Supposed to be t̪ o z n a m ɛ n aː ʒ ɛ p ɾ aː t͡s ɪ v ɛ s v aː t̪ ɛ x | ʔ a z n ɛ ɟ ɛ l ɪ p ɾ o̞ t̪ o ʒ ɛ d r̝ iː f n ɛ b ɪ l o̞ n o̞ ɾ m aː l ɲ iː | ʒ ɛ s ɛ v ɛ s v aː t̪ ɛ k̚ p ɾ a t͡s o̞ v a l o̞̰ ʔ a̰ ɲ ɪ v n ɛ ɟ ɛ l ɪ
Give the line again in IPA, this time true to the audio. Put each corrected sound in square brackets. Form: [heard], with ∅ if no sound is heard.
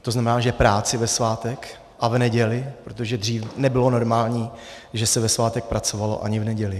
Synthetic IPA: t̪ o z n a m ɛ n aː ʒ ɛ p ɾ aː t͡s ɪ v ɛ s v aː t̪ ɛ [k] | ʔ a [v] n ɛ ɟ ɛ l ɪ p ɾ o̞ t̪ o ʒ ɛ d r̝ iː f n ɛ b ɪ l o̞ n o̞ ɾ m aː l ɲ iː | ʒ ɛ s ɛ v ɛ s v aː t̪ ɛ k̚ p ɾ a t͡s o̞ v a l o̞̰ ʔ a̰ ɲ ɪ v n ɛ ɟ ɛ l ɪ